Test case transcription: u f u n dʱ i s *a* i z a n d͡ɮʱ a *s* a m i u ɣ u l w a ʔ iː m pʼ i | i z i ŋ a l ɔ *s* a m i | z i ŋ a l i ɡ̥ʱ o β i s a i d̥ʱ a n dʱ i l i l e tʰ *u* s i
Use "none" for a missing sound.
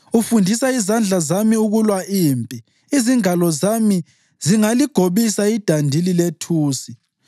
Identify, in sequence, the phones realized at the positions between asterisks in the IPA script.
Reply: a, z, z, uː

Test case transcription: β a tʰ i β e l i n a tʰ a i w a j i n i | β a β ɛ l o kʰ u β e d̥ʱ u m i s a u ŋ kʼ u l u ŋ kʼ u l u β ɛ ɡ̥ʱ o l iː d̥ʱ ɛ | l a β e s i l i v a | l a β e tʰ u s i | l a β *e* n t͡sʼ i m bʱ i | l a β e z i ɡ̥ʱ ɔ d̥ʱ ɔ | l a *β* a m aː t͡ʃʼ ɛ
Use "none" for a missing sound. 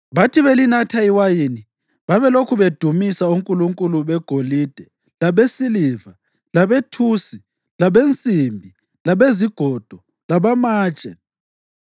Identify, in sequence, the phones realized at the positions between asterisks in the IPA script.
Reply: e, β

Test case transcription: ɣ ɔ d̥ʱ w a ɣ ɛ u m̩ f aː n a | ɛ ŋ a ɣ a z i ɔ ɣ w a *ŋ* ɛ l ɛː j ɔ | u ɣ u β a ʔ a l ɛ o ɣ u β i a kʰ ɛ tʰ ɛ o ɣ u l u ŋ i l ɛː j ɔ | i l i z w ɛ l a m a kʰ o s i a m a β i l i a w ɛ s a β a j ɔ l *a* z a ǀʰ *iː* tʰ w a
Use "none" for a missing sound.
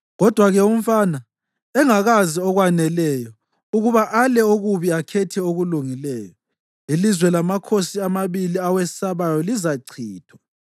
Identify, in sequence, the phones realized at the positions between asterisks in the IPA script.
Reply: n, i, iː

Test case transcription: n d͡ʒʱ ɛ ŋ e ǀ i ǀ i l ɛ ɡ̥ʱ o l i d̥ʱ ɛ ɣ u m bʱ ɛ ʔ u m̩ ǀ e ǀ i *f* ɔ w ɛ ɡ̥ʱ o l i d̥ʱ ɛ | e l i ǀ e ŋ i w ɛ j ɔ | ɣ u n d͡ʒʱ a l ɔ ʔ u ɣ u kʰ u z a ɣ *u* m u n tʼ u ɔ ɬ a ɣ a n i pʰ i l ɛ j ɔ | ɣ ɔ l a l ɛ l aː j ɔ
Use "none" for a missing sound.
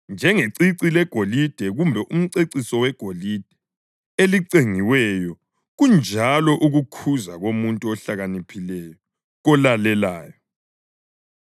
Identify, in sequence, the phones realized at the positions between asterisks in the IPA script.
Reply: s, o

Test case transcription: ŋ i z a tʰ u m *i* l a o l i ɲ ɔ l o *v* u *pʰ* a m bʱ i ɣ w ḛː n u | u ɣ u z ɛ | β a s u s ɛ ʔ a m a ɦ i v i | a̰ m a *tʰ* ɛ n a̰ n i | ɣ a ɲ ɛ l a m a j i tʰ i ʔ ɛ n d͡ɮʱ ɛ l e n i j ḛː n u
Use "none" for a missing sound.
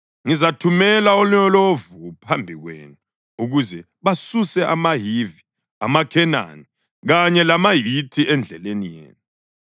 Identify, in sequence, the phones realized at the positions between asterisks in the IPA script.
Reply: ɛ, v, pʰ, kʰ

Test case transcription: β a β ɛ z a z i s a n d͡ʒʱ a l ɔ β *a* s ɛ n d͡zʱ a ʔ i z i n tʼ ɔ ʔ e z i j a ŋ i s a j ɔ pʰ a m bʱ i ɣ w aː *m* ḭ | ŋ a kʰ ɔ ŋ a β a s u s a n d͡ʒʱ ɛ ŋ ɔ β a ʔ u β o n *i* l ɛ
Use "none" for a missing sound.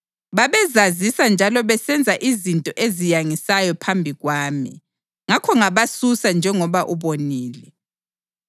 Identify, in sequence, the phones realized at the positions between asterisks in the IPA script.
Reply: ɛ, m, iː

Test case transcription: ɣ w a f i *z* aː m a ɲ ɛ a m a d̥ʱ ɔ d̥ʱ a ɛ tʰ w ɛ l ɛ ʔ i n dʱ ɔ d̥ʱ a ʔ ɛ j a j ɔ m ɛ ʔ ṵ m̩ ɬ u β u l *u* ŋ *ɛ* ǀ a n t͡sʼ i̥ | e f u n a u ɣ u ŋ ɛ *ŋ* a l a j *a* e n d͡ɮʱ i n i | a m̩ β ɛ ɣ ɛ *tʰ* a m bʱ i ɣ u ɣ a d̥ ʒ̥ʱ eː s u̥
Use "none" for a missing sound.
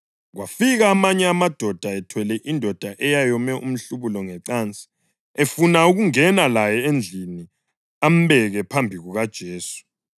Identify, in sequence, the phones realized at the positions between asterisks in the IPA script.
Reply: ɣ, ɔ, ɛ, n, ɛ, pʰ

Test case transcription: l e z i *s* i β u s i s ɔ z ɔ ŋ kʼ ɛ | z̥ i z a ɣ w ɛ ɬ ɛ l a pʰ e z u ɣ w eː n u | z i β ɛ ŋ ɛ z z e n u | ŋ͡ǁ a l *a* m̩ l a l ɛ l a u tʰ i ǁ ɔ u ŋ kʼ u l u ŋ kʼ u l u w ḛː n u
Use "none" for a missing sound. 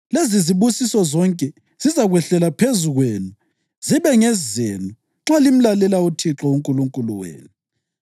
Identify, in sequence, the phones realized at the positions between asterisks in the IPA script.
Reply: z, i

